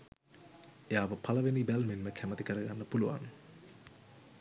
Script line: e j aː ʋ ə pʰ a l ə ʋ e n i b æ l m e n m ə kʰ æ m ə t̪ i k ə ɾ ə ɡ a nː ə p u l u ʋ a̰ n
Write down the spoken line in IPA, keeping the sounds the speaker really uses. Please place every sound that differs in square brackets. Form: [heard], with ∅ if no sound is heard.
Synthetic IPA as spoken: e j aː ʋ ə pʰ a l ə ʋ e n i b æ l m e n m ə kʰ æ m ə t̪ i k ə ɾ ə ɡ a nː ə p u l u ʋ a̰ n